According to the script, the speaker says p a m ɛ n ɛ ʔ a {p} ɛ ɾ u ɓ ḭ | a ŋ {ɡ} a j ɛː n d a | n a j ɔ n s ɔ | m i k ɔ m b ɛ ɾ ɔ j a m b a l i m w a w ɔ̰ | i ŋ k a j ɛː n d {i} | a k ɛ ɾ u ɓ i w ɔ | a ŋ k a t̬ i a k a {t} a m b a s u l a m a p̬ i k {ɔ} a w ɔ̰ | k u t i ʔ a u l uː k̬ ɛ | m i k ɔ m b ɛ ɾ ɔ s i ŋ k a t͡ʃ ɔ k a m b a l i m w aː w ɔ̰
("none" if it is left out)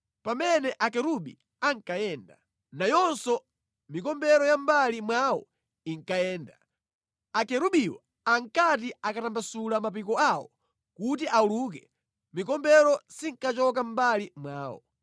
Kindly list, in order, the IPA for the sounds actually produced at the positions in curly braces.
k, k, a, t, ɔ

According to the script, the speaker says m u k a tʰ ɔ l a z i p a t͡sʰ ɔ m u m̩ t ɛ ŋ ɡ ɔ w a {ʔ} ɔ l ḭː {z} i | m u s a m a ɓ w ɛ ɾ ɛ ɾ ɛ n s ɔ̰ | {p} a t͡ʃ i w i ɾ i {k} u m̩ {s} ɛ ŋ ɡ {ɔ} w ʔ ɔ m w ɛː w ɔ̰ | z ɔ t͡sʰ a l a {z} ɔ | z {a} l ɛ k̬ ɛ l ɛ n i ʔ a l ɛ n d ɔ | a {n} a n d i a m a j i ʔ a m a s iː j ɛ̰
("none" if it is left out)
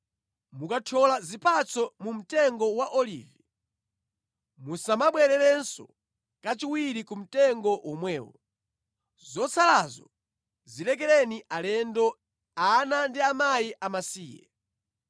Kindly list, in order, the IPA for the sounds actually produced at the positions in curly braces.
ʔ, v, k, k, t, ɔ, z, i, n

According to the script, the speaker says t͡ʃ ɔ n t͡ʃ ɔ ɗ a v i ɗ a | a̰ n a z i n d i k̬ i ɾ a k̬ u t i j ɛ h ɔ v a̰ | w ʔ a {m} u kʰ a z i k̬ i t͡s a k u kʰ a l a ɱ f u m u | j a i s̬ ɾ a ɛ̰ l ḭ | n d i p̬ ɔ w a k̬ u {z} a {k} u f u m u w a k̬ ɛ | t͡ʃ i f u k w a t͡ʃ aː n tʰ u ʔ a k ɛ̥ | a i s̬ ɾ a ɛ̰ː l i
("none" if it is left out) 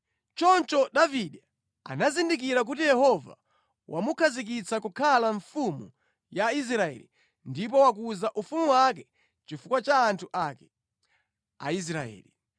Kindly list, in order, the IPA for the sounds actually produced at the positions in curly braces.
m, z, ʔ

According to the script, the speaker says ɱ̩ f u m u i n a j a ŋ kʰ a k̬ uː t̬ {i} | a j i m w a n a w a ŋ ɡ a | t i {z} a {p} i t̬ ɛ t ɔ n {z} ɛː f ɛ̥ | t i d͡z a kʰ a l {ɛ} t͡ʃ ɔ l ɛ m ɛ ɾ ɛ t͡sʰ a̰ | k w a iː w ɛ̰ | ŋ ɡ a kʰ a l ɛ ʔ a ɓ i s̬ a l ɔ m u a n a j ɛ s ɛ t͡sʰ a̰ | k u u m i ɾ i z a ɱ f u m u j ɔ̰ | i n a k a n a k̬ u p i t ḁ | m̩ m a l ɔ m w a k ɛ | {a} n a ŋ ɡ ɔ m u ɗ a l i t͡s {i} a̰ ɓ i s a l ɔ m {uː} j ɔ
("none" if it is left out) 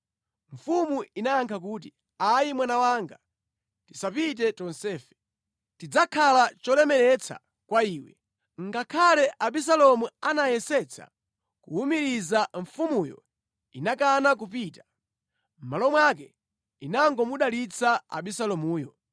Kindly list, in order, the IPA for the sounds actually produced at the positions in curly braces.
i, s, p, s, a, i, a, uː

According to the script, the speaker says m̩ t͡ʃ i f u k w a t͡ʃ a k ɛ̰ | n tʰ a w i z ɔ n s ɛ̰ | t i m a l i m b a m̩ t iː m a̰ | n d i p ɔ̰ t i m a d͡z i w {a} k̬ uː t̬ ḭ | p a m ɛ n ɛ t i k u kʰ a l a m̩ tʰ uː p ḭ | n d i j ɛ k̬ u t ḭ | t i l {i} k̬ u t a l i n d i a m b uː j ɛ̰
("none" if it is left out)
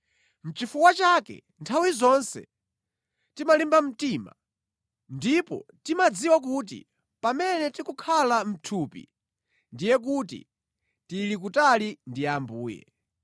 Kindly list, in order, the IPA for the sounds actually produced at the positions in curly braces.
a, i

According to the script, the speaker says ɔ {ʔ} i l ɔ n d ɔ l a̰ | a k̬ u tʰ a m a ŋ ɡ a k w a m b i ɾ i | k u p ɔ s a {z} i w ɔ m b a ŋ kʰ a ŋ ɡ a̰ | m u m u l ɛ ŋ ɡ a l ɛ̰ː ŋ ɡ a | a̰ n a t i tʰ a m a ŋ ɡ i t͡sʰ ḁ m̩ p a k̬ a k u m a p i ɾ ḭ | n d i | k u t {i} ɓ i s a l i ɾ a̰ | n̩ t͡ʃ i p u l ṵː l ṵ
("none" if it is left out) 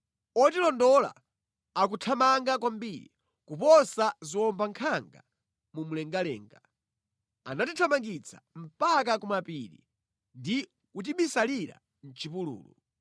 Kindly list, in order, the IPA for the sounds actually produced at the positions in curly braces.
t, z, i

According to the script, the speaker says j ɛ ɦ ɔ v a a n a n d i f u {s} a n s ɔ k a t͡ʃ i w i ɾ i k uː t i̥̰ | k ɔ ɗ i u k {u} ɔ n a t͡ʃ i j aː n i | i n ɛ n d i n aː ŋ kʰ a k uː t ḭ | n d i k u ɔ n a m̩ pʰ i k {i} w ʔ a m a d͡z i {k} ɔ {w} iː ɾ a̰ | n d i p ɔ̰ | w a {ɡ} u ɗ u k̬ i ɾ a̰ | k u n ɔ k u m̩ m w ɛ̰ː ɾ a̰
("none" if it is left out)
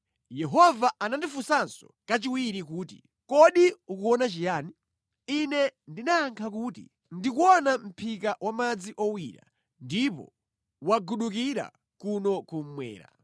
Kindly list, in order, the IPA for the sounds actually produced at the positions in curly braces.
s, u, a, ʔ, w, ɡ

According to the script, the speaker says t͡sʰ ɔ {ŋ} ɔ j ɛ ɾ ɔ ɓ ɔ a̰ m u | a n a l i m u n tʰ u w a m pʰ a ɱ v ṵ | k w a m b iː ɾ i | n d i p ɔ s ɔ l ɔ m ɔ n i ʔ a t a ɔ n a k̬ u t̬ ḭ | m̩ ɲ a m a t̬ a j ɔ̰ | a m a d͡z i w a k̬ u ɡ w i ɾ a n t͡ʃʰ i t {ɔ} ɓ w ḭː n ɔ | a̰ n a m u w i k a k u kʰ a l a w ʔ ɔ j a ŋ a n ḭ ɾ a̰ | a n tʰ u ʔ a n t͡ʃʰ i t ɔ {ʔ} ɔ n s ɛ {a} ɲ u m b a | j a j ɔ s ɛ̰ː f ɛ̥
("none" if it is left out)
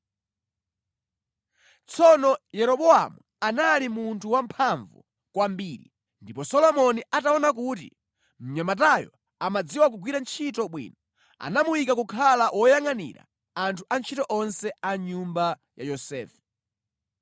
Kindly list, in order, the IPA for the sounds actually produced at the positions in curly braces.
n, ɔ, ʔ, a

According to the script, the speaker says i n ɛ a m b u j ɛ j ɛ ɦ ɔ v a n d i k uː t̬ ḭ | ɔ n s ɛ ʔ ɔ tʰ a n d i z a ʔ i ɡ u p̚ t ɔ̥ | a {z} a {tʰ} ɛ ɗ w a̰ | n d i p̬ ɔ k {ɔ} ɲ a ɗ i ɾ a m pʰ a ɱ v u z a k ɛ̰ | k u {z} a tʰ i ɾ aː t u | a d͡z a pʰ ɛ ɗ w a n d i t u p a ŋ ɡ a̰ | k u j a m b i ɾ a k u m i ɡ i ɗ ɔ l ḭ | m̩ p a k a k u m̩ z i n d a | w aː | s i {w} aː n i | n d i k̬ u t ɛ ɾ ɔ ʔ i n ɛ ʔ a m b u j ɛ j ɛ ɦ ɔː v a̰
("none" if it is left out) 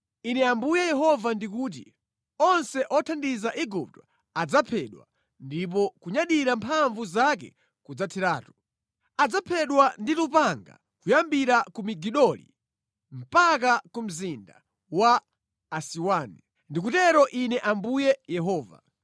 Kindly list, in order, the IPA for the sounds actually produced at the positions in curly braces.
d͡z, pʰ, u, d͡z, w

